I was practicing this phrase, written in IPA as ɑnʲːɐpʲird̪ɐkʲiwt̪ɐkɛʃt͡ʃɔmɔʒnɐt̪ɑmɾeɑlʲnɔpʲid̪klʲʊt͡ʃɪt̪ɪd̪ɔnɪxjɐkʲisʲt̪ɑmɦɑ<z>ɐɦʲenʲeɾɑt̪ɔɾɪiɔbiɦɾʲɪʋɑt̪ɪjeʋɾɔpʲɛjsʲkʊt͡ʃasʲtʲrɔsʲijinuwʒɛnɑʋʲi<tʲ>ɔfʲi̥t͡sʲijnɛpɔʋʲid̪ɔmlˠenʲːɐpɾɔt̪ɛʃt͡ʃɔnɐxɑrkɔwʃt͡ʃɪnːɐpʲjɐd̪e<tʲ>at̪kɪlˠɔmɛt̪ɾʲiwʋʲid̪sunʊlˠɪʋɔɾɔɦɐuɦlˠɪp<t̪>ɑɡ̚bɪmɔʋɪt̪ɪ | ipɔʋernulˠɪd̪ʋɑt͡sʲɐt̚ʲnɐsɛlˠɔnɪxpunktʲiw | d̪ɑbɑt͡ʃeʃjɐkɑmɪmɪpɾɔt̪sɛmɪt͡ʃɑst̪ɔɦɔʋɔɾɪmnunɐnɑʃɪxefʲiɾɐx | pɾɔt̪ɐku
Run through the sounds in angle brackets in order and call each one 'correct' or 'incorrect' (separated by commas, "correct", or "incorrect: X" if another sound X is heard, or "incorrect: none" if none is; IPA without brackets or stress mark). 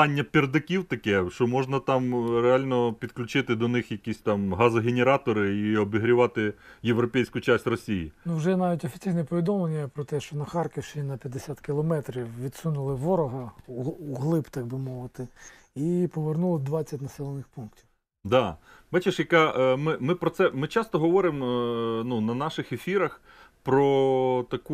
correct, correct, incorrect: sʲ, correct